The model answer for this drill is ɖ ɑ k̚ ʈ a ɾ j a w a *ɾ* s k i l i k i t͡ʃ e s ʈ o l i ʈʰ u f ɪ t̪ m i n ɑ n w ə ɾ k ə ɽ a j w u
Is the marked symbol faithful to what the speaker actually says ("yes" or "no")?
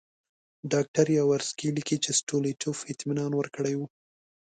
yes